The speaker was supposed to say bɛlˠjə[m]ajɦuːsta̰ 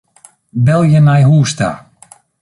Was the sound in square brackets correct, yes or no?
no